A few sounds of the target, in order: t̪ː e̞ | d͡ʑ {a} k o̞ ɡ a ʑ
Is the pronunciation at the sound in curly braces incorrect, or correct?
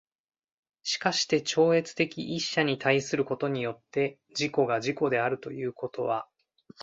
incorrect